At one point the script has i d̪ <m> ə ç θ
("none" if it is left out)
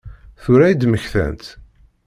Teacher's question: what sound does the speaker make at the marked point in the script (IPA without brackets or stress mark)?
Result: m